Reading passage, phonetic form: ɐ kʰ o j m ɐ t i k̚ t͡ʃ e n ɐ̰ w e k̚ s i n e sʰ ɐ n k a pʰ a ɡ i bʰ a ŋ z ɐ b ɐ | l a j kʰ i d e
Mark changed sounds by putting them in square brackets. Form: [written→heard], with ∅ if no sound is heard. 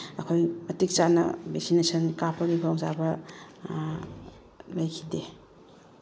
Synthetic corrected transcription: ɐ kʰ o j m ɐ t i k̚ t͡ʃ [e→a] n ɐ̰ [w→b] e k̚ s i n e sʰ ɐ n k a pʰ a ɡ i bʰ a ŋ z [ɐ→a] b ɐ | l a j kʰ i d e